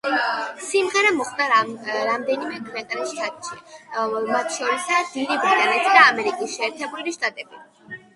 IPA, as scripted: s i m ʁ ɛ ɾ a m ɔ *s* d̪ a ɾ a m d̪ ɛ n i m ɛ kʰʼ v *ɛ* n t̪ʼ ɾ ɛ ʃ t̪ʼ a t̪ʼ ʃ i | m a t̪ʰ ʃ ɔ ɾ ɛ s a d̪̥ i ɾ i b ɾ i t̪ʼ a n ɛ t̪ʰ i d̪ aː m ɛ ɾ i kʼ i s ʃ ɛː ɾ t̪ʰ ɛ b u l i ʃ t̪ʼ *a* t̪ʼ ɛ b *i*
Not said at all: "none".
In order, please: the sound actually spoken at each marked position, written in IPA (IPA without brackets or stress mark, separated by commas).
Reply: χ, ɛ, a, i